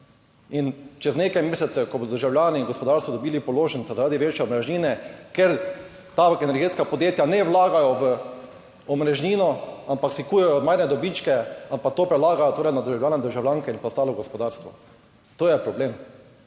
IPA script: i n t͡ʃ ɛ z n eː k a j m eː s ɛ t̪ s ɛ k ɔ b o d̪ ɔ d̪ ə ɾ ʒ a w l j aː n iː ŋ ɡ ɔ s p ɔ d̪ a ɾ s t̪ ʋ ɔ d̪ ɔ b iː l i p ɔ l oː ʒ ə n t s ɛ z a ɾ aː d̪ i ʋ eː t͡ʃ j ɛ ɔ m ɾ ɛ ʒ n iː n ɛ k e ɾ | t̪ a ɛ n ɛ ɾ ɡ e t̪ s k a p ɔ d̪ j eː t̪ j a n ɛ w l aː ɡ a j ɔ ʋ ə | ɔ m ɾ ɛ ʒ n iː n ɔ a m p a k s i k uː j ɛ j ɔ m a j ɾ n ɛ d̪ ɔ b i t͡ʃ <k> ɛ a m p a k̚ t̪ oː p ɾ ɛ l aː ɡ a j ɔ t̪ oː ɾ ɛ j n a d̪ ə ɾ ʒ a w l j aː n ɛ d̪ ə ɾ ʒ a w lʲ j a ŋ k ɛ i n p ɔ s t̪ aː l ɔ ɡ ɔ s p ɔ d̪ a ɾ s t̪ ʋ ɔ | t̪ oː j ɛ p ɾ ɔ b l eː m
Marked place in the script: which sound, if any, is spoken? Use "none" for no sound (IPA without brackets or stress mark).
k